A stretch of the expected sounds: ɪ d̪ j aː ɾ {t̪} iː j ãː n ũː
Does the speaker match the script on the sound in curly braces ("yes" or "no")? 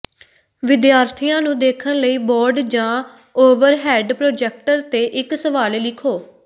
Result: no